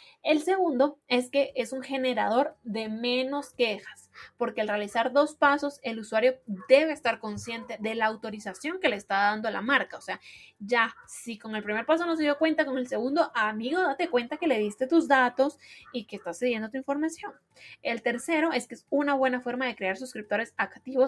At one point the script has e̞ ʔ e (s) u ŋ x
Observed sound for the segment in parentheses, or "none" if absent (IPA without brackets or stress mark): s